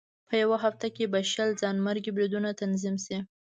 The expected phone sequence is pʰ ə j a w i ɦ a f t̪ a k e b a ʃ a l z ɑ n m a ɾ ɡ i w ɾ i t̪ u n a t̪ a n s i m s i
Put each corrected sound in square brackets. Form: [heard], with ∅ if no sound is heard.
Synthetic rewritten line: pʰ ə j a w [a] ɦ a f t̪ a k e b a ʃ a l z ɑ n m a ɾ ɡ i [b] ɾ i [d̪] u n a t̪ a n [z] i m s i